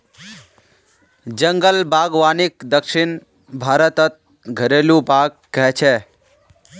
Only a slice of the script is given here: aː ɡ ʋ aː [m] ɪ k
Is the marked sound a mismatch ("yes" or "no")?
yes